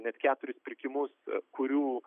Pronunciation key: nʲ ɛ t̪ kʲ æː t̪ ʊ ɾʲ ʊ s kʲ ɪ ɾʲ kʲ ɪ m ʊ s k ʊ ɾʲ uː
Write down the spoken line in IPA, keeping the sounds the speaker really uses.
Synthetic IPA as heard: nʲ ɛ t̪ kʲ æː t̪ ʊ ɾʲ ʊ s pʲ ɪ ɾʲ kʲ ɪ m ʊ s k ʊ ɾʲ uː